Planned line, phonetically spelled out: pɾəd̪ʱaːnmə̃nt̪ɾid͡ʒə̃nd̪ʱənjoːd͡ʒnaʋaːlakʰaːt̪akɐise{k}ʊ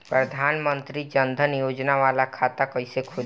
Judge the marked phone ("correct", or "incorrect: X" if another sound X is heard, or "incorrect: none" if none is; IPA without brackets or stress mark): incorrect: kʰ